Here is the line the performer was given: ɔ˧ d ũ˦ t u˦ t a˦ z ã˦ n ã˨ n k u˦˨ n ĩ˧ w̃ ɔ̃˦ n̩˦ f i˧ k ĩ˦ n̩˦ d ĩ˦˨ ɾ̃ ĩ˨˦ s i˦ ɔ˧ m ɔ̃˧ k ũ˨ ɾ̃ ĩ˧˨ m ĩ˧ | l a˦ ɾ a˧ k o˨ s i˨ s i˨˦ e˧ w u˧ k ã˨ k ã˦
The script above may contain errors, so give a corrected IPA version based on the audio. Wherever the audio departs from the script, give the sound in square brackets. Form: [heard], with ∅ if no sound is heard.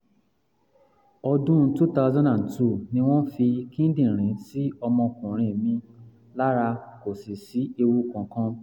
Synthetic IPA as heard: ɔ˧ d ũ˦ t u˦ t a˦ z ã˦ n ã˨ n [t] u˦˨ n ĩ˧ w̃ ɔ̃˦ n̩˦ f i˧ k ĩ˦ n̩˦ d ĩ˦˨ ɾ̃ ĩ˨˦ s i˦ ɔ˧ m ɔ̃˧ k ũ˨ ɾ̃ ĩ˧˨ m ĩ˧ | l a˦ ɾ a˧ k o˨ s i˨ s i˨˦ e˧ w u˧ k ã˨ k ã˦